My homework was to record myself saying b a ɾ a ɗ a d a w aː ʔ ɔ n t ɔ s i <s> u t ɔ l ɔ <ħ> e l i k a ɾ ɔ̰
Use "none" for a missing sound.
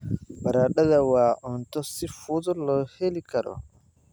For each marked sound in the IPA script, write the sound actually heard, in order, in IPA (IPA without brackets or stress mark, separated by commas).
f, h